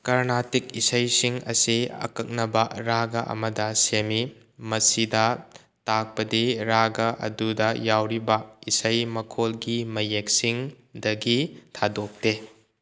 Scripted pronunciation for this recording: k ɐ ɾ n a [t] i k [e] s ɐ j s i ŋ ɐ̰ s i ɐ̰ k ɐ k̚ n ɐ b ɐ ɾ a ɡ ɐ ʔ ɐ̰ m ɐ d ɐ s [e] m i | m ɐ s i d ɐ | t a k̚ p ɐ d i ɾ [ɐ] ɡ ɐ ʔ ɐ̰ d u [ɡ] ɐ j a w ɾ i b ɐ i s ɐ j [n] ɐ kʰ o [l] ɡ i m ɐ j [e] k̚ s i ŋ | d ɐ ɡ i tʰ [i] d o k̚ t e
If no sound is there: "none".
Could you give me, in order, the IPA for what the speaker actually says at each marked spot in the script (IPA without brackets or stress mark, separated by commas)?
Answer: t, i, e, a, d, m, l, e, a